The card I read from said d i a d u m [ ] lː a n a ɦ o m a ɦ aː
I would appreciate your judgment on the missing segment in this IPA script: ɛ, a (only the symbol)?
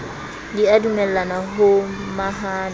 ɛ